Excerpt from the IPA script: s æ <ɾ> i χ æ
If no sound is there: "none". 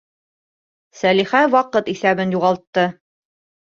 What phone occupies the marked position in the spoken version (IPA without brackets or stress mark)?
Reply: l